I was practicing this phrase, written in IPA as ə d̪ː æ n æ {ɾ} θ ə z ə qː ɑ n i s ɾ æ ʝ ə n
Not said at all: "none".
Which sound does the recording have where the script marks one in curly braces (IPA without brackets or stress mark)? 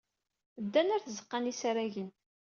ɾ